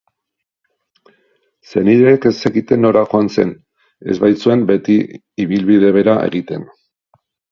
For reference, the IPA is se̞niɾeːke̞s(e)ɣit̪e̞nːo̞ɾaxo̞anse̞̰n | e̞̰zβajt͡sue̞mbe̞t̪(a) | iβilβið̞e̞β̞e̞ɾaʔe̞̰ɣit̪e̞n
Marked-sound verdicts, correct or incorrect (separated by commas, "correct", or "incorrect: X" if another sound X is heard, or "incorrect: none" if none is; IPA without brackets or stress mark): correct, incorrect: i